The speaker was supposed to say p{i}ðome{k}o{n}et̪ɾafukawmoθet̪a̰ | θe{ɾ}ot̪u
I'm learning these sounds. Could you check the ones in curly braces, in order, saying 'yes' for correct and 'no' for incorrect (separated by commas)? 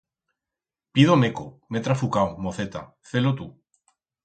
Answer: yes, yes, no, no